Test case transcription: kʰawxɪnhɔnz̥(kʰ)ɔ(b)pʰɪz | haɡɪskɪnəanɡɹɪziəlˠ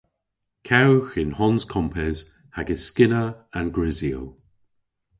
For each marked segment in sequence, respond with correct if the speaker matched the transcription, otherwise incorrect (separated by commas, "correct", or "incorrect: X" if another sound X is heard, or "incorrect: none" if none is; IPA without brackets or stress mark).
correct, incorrect: m